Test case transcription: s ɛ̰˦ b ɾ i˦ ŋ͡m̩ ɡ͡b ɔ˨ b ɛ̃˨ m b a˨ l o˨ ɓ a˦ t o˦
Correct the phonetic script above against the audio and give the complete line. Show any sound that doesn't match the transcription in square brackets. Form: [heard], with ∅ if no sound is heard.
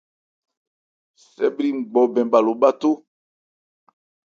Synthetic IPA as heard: s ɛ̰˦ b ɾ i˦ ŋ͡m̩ ɡ͡b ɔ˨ b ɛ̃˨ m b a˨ l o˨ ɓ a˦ t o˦